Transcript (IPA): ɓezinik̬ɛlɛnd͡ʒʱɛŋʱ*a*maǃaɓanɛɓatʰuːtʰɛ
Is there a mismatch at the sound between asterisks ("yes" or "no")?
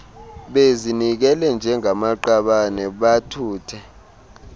no